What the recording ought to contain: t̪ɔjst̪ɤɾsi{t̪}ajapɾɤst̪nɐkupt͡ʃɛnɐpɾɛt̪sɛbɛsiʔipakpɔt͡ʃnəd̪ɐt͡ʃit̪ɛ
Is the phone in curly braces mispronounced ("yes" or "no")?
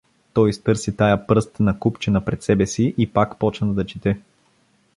no